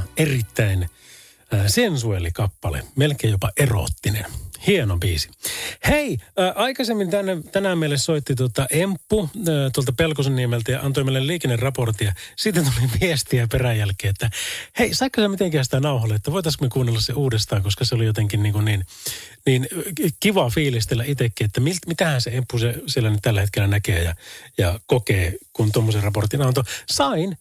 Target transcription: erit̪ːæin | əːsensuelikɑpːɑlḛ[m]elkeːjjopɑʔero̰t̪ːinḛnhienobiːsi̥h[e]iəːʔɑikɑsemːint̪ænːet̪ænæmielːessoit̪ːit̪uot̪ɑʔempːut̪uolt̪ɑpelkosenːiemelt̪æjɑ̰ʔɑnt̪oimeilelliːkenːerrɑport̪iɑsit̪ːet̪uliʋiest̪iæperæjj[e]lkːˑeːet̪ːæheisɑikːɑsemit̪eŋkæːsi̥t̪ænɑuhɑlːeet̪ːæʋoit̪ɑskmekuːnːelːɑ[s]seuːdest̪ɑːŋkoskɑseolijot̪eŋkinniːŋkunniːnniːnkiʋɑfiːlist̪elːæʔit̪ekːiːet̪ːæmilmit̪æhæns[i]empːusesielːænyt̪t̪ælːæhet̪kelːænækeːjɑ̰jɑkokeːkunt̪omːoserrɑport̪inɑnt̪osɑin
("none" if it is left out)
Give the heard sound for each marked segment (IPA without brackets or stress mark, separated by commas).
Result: m, e, æ, s, e